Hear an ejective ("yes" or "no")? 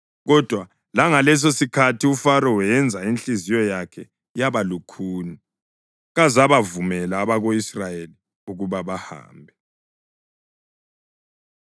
no